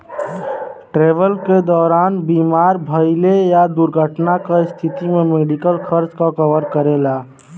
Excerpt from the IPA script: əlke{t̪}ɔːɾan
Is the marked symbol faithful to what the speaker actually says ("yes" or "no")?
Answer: no